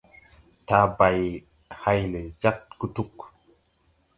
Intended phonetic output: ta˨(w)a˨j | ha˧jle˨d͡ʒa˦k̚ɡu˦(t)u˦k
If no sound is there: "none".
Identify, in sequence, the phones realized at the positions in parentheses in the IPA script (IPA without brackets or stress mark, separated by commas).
b, t